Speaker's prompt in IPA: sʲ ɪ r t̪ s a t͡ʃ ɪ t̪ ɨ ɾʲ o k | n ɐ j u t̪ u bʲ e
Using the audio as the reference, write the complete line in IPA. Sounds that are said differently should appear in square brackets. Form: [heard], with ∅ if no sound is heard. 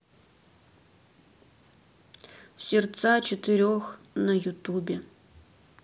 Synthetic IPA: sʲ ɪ r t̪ s a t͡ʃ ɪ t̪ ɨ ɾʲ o [x] | n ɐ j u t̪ u bʲ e

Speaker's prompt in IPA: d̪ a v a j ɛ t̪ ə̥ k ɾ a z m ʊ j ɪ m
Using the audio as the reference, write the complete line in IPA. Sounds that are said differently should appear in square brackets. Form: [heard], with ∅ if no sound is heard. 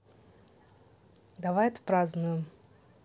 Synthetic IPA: d̪ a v a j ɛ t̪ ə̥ [p] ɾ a z [n] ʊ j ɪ m

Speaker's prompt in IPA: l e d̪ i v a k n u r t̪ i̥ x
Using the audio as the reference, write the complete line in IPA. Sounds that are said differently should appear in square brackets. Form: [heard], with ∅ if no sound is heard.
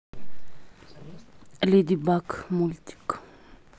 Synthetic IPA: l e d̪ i [b] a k [m] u [l] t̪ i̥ [k]

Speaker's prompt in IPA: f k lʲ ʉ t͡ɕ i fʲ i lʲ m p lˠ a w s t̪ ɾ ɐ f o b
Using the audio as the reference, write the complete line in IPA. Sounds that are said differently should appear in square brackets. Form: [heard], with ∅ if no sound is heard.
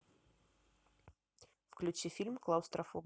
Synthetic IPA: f k lʲ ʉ t͡ɕ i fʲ i lʲ m [k] lˠ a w s t̪ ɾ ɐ f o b

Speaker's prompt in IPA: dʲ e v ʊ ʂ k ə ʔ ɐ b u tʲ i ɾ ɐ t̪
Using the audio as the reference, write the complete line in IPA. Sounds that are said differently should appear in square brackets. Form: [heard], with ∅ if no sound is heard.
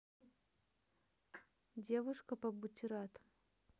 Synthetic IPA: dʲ e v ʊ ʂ k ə [p] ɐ b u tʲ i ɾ [a] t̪

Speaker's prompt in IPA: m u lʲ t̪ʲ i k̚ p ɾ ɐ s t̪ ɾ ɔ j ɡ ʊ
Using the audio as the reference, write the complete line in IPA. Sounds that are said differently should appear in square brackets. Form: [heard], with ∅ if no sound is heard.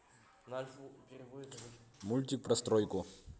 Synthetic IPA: m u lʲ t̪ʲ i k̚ p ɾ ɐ s t̪ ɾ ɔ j [k] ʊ

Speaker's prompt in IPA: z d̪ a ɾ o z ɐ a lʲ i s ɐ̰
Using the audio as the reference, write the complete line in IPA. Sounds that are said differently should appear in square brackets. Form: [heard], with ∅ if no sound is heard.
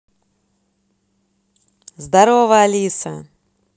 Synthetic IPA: z d̪ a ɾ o [v] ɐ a lʲ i s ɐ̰

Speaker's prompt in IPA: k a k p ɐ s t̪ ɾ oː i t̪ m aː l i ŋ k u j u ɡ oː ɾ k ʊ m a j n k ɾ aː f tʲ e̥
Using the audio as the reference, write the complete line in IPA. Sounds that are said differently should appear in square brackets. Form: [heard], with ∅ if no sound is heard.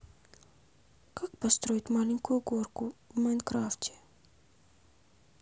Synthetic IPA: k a k p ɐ s t̪ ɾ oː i t̪ m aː l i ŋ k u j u ɡ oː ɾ k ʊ m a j n k ɾ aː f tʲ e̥

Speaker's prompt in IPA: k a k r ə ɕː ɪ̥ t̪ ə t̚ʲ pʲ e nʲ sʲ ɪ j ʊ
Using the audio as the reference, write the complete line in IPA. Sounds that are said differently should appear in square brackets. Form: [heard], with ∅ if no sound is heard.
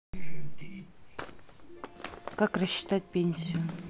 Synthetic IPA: k a k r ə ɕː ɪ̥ t̪ [a] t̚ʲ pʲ e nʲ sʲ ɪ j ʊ

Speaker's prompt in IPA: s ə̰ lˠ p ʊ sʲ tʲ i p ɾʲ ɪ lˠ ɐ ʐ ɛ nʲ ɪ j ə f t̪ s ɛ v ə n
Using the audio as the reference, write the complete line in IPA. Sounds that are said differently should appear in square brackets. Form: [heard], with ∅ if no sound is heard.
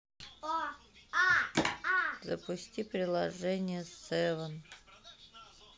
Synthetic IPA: [z] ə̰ [∅] p ʊ sʲ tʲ i p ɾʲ ɪ lˠ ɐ ʐ ɛ nʲ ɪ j ə [s] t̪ s ɛ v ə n

